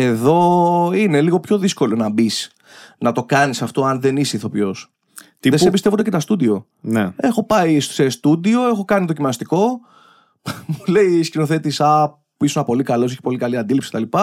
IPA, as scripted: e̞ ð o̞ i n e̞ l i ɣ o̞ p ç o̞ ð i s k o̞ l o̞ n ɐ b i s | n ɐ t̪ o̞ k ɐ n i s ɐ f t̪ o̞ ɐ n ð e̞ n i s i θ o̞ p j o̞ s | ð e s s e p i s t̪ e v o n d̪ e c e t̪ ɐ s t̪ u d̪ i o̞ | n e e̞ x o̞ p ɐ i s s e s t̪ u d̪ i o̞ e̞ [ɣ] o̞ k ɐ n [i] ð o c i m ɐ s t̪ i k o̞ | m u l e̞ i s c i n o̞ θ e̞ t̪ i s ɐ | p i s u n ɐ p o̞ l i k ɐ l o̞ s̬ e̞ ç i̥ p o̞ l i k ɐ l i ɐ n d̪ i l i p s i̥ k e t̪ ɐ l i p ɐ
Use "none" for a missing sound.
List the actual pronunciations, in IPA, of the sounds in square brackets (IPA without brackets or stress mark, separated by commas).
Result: x, i